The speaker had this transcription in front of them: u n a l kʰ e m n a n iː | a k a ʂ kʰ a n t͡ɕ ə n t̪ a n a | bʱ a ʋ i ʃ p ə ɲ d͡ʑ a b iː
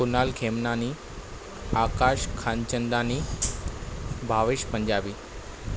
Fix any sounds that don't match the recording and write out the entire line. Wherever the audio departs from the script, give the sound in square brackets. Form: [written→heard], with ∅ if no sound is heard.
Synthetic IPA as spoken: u n a l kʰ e m n a n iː | a k a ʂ kʰ a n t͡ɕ ə n [t̪→d̪] a n [a→i] | bʱ a ʋ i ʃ p ə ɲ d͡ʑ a b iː